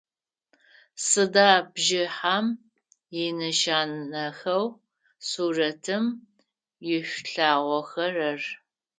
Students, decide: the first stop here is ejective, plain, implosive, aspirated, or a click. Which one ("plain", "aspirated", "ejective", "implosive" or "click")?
plain